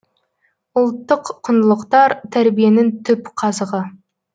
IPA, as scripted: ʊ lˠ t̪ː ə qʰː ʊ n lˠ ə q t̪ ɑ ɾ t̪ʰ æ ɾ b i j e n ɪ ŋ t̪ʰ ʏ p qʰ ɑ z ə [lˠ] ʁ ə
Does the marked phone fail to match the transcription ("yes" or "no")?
yes